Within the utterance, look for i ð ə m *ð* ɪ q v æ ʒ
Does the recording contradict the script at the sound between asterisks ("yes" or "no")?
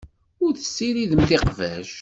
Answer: yes